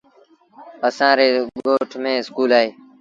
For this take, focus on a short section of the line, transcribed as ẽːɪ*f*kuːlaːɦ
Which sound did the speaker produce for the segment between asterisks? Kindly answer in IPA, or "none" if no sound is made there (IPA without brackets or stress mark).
s